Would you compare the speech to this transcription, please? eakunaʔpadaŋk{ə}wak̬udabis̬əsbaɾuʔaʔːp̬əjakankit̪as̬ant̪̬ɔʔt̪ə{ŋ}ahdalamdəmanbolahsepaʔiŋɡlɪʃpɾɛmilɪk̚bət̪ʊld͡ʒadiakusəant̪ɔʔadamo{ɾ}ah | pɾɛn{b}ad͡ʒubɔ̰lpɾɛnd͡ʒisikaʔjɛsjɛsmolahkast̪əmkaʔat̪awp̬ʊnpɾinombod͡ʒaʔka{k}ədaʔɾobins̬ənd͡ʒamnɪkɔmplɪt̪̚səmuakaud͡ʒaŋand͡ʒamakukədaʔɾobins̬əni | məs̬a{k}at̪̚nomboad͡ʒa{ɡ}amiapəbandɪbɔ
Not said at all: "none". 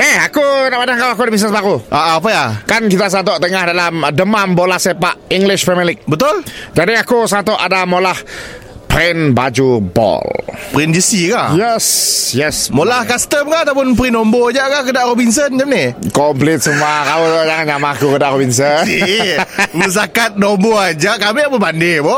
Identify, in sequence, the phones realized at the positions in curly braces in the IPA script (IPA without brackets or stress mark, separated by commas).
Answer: a, ŋ, l, b, k, k, k